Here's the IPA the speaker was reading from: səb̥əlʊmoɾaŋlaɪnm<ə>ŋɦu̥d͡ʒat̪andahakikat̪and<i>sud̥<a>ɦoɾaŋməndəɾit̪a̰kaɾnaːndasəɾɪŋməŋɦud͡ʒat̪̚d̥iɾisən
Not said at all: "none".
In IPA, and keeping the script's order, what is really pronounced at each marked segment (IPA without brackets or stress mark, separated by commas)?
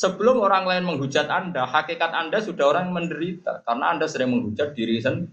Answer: ə, a, a